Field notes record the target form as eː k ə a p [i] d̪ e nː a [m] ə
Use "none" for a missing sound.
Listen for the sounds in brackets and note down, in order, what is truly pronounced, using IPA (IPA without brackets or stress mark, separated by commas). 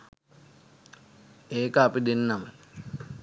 i, m